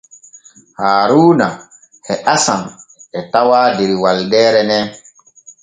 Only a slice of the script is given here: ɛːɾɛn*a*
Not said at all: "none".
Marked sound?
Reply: ɛ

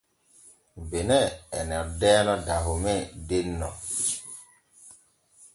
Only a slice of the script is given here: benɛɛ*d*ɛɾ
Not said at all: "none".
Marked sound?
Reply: n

